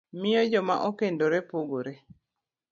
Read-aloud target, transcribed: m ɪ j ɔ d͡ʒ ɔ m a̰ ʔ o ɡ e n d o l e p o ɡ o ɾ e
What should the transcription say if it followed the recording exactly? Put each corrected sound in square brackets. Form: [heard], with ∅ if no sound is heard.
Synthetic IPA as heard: m ɪ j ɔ d͡ʒ ɔ m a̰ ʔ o [k] e n d o [ɾ] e p o ɡ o ɾ e